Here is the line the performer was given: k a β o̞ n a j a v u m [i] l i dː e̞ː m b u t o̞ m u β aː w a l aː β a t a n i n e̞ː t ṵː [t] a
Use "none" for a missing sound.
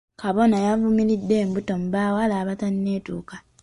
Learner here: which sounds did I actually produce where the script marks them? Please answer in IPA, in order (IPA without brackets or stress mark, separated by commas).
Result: i, k